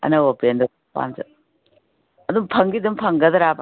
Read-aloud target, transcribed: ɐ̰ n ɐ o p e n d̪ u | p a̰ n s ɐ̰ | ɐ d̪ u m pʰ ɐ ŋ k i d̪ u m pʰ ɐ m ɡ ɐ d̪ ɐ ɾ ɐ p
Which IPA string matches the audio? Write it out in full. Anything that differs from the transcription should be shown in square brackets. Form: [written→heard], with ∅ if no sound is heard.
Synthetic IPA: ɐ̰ n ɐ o p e n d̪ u | p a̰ n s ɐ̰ | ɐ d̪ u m pʰ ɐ ŋ [k→ɡ] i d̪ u m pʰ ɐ [m→ŋ] ɡ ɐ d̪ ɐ ɾ [ɐ→a] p